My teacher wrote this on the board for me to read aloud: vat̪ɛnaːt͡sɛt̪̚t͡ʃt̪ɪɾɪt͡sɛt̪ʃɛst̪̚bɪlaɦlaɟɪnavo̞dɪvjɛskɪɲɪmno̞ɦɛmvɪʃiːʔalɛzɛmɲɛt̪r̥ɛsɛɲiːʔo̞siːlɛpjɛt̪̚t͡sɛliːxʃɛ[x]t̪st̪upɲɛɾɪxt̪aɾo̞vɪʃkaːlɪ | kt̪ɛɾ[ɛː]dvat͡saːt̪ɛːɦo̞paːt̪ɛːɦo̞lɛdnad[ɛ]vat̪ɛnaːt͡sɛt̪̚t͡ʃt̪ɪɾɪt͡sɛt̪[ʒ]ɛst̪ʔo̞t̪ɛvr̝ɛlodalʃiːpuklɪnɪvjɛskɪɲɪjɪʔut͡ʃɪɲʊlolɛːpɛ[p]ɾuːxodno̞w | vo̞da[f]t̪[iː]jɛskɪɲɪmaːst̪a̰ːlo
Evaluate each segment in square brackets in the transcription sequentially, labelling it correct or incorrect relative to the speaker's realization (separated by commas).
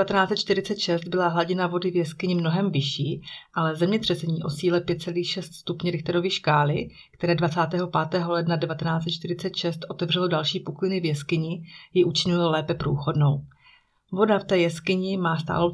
incorrect, correct, correct, incorrect, correct, correct, incorrect